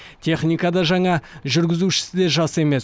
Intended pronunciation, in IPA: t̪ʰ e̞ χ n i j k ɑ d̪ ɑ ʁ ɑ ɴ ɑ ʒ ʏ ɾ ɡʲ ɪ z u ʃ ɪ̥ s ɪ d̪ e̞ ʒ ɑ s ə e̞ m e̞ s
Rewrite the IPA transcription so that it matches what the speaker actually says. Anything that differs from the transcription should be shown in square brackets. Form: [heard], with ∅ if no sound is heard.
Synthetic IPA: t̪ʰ e̞ χ n i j k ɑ d̪ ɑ [ʒ] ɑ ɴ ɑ ʒ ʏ ɾ ɡʲ ɪ z u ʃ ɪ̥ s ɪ d̪ e̞ ʒ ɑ s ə e̞ m e̞ s